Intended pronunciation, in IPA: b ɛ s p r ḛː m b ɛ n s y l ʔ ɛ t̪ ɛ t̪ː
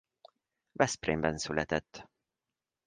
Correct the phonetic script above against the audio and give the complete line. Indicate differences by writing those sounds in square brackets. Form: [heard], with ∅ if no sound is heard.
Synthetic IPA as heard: [v] ɛ s p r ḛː m b ɛ n s y l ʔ ɛ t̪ ɛ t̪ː